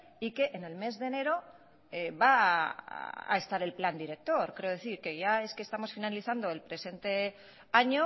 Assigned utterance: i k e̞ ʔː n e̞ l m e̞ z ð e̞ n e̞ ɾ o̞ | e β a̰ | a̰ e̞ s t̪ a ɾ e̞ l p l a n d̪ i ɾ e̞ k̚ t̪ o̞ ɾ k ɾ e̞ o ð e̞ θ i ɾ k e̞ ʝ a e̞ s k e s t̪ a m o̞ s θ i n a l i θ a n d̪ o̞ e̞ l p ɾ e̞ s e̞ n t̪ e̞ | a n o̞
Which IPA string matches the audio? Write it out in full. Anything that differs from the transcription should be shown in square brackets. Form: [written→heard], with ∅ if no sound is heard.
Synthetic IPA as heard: i k e̞ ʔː n e̞ l m e̞ z ð e̞ n e̞ ɾ o̞ | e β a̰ | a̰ e̞ s t̪ a ɾ e̞ l p l a n d̪ i ɾ e̞ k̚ t̪ o̞ ɾ k ɾ e̞ o ð e̞ θ i ɾ k e̞ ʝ a e̞ s k e s t̪ a m o̞ s [θ→f] i n a l i θ a n d̪ o̞ e̞ l p ɾ e̞ s e̞ n t̪ e̞ | a [n→ɲ] o̞